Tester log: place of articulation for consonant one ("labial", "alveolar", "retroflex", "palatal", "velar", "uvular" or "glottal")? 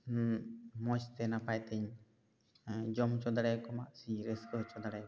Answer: labial